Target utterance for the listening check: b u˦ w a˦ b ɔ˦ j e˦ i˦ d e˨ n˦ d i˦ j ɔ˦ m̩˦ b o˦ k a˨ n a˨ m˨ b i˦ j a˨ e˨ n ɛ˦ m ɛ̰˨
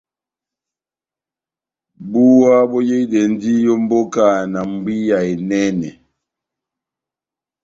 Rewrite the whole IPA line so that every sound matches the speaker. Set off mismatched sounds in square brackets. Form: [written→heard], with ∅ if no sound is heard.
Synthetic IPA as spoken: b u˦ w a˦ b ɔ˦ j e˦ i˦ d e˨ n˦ d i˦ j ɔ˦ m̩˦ b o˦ k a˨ n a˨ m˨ b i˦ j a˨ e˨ n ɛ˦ [m→n] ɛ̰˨